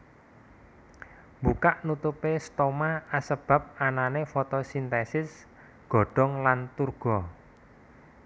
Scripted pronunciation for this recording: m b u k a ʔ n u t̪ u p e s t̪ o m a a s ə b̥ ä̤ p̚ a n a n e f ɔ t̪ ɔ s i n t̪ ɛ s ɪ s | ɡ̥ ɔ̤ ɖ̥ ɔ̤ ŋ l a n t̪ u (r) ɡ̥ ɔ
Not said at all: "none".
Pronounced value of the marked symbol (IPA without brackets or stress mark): r